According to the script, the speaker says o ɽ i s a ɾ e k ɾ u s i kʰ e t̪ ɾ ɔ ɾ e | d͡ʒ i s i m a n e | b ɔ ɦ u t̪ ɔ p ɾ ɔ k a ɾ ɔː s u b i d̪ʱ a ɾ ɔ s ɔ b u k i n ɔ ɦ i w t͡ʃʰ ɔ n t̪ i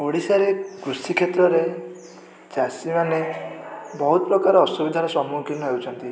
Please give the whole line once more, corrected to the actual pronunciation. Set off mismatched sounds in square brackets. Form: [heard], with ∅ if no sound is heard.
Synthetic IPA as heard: o ɽ i s a ɾ e k ɾ u s i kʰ e t̪ ɾ ɔ ɾ e | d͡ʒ [a] s i m a n e | b ɔ ɦ u t̪ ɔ p ɾ ɔ k a ɾ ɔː s u b i d̪ʱ a ɾ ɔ s ɔ [m] u k i n ɔ ɦ [e] w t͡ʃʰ ɔ n t̪ i

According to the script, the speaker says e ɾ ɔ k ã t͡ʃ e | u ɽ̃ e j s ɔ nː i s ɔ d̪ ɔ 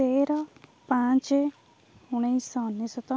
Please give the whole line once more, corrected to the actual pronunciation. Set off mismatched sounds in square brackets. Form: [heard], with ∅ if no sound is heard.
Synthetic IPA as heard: e ɾ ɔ [p] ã t͡ʃ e | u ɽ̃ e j s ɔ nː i s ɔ [t̪] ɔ

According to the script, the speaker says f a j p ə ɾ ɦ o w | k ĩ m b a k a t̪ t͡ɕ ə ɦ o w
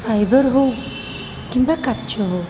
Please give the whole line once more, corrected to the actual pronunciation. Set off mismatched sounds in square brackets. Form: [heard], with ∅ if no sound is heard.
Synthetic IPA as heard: f a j [b] ə ɾ ɦ o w | k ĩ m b a k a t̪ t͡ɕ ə ɦ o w

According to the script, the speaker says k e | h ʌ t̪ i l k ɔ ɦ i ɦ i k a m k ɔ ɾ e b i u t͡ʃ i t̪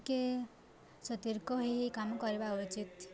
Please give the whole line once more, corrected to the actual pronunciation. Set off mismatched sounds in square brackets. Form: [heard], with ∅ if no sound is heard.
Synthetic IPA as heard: k e | [s] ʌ t̪ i [ɾ] k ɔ ɦ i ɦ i k a m k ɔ ɾ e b [a] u t͡ʃ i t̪

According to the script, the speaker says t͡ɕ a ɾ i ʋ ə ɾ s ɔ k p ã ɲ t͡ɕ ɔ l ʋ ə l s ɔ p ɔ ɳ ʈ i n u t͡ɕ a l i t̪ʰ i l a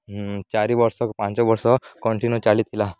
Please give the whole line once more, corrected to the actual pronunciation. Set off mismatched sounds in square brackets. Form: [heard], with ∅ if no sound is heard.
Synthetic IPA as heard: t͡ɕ a ɾ i ʋ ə ɾ s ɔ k p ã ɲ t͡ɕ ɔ [∅] ʋ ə [ɾ] s ɔ [k] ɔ ɳ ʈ i n u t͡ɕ a l i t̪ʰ i l a

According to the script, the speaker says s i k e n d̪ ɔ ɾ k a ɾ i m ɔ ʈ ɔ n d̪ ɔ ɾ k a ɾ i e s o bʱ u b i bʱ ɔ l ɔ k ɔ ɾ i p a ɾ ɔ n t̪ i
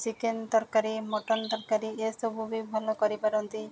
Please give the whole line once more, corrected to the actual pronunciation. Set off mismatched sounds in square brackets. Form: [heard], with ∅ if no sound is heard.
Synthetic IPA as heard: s i k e n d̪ ɔ ɾ k a ɾ i m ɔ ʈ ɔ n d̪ ɔ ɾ k a ɾ i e s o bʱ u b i bʱ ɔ l ɔ k ɔ ɾ i p a ɾ ɔ n t̪ i

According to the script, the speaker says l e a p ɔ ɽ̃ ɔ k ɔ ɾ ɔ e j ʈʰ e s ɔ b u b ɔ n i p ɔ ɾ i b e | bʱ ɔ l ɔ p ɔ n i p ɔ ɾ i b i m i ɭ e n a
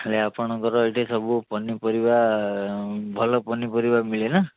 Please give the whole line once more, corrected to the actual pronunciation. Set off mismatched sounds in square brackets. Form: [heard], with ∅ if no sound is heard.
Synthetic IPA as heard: l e a p ɔ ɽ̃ ɔ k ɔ ɾ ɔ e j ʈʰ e s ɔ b u [p] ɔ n i p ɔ ɾ i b [a] | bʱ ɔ l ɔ p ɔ n i p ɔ ɾ i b [a] m i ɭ e n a

